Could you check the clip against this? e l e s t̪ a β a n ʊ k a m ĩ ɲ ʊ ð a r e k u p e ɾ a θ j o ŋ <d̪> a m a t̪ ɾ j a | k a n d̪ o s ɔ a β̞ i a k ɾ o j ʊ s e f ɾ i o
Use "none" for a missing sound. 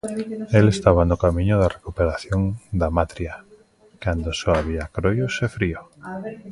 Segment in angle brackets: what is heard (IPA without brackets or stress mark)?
d̪